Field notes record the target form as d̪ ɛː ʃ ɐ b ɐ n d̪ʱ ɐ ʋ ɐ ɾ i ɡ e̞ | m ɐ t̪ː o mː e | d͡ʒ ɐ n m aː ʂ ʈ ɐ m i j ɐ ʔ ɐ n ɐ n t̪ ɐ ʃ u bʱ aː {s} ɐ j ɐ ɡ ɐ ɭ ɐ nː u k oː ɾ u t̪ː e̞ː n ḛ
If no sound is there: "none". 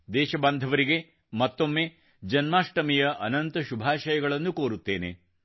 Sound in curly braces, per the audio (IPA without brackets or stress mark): ʃ